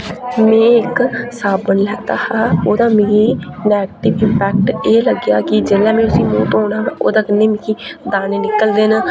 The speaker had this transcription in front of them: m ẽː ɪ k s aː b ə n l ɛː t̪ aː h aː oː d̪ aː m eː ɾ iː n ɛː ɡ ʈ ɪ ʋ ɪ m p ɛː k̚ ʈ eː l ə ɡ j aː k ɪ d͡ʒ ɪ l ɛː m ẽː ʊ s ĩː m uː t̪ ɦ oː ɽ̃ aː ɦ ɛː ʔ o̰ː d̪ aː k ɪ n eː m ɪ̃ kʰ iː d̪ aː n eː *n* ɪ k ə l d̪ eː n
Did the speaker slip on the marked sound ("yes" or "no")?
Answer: no